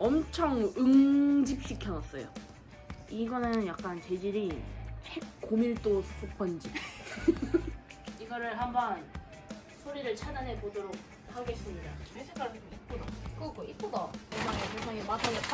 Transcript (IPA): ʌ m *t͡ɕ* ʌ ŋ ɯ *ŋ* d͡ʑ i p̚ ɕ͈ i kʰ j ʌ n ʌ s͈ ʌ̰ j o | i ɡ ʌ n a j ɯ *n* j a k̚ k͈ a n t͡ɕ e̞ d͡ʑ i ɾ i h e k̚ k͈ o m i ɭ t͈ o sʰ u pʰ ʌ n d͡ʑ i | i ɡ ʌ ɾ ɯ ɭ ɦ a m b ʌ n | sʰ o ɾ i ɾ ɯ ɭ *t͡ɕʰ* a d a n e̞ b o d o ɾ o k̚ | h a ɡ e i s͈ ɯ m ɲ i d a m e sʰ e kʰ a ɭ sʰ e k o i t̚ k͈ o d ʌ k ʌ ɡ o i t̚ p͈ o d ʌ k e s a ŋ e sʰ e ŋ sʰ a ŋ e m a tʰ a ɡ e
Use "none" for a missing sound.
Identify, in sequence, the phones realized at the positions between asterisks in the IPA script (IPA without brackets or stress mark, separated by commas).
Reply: t͡ɕʰ, ŋ, n, t͡ɕʰ